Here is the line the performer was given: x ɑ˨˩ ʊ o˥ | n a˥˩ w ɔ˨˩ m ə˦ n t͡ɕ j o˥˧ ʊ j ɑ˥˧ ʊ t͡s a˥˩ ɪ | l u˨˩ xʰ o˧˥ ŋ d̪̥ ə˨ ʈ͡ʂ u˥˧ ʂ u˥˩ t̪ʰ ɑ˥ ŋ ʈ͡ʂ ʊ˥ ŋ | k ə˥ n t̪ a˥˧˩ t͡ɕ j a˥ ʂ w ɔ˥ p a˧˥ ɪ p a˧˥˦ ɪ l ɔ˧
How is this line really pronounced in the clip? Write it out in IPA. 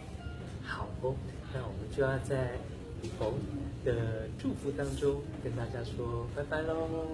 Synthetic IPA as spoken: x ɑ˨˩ ʊ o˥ | n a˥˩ w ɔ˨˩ m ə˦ n t͡ɕ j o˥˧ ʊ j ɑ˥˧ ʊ t͡s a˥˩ ɪ | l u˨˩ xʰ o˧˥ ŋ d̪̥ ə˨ ʈ͡ʂ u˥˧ f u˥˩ t̪ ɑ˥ ŋ ʈ͡ʂ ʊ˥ ŋ | k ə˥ n t̪ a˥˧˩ t͡ɕ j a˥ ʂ w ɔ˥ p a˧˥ ɪ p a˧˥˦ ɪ l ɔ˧